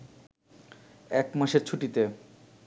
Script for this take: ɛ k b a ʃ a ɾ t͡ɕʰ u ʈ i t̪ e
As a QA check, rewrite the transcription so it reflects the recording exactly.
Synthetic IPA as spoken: ɛ k m a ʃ e ɾ t͡ɕʰ u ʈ i t̪ e

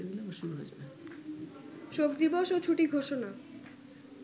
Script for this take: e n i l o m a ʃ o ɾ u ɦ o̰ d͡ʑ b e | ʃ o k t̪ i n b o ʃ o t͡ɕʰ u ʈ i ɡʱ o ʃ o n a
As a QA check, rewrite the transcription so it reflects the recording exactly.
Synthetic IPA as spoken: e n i l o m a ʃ u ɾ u ɦ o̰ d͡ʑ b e | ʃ o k d̪ i b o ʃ o t͡ɕʰ u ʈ i ɡʱ o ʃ o n a

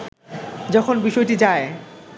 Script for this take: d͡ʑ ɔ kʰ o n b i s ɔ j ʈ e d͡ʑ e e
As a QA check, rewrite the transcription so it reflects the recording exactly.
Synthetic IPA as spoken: d͡ʑ ɔ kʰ o n b i ʃ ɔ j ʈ i d͡ʑ a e

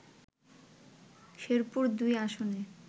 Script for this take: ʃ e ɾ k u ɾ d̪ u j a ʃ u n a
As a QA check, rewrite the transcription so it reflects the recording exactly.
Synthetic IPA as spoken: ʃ e ɾ p u ɾ d̪ u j a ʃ o n e

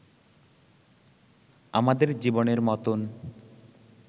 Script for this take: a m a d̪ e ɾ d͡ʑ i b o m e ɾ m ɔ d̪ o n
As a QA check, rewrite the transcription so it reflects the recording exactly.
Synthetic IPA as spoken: a m a d̪ e ɾ d͡ʑ i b o n e ɾ m ɔ t̪ o n

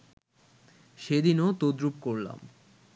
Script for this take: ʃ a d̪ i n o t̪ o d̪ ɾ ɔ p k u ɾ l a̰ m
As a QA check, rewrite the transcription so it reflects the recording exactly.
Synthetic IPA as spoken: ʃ e d̪ i n o t̪ o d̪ ɾ u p k o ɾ l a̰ m

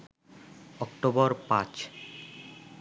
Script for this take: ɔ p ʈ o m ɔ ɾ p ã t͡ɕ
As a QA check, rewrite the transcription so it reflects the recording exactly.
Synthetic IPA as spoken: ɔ k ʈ o b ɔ ɾ p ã t͡ɕ

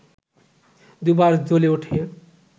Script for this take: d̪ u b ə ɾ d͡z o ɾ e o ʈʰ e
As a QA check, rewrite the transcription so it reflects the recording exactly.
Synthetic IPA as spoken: d̪ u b a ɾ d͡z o l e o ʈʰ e

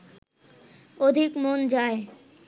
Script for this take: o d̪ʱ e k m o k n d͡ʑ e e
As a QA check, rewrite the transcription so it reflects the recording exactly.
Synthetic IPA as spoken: o d̪ʱ i k m o n d͡ʑ a e

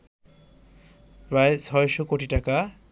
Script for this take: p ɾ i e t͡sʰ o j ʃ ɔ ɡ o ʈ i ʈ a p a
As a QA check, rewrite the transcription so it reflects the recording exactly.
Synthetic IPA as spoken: p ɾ a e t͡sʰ ɔ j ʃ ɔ k o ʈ i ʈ a k a

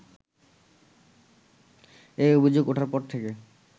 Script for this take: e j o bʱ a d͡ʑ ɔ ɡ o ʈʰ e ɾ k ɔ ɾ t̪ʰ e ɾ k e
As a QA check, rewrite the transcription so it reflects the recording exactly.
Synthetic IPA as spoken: e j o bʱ i d͡ʑ o ɡ o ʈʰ a ɾ p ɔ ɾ t̪ʰ e k e

